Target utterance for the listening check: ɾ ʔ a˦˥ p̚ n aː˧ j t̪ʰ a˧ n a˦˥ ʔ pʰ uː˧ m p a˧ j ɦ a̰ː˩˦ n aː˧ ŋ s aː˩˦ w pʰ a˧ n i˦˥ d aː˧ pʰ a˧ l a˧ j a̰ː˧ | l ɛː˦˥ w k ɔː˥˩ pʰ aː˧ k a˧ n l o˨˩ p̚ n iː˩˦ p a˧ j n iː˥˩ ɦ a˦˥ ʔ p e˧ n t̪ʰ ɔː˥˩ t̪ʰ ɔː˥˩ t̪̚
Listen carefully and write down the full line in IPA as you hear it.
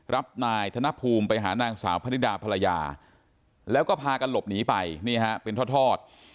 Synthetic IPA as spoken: ɾ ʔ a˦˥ p̚ n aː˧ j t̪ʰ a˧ n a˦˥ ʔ pʰ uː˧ m p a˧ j ɦ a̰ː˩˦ n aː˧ ŋ s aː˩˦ w pʰ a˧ n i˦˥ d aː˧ pʰ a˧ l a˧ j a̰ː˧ | l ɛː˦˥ w k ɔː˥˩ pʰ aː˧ k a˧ n l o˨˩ p̚ n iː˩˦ p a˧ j n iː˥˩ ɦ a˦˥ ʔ p e˧ n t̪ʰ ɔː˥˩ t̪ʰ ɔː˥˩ t̪̚